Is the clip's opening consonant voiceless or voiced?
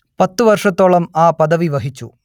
voiceless